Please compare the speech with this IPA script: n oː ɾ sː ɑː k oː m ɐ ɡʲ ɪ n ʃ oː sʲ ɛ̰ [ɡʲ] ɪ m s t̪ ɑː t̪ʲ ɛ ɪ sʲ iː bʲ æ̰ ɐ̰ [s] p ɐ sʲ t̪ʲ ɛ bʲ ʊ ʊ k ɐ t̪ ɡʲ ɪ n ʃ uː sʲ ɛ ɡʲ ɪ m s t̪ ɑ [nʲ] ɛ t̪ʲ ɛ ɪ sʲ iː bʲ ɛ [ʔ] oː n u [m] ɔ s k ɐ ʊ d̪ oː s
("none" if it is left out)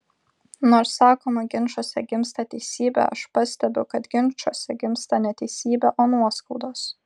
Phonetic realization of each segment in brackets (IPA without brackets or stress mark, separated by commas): ɡʲ, ʃ, nʲ, ʔ, none